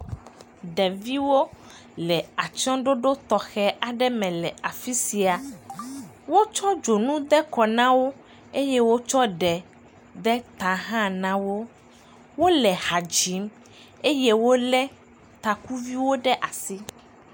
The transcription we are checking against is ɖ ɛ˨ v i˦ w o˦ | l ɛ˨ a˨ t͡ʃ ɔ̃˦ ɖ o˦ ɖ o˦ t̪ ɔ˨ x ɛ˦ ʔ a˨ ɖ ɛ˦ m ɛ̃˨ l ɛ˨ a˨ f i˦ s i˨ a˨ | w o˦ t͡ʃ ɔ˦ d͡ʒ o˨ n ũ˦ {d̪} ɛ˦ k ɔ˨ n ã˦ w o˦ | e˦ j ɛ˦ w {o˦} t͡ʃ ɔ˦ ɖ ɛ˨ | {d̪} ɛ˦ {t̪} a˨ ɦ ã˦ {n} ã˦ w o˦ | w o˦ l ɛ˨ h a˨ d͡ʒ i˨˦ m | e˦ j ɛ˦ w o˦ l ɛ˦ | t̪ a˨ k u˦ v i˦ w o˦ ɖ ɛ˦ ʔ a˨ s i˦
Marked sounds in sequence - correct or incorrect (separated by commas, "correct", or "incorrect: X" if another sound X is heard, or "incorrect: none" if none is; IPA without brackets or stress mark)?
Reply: correct, correct, correct, correct, correct